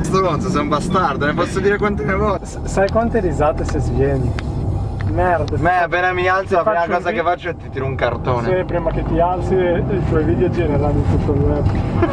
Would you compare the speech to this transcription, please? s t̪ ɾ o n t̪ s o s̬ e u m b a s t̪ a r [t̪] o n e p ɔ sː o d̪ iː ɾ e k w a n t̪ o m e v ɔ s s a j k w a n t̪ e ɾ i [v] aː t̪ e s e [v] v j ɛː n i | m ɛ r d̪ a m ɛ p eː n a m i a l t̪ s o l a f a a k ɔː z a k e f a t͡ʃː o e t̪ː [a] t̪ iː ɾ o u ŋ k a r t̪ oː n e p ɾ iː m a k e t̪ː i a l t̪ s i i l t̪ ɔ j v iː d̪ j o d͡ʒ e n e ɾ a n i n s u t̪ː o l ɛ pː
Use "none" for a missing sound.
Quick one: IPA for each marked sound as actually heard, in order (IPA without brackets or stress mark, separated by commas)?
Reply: d̪, z, z, i